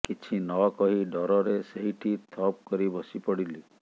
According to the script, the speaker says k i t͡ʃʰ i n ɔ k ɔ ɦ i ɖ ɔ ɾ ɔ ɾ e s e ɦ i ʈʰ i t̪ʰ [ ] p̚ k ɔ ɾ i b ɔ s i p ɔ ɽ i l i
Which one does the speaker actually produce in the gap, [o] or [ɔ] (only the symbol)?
ɔ